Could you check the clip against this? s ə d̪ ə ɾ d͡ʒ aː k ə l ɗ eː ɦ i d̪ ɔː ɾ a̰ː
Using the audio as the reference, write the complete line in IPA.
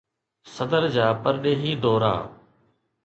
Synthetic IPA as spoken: s ə d̪ ə ɾ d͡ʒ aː p ə ɾ ɗ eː ɦ iː d̪ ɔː ɾ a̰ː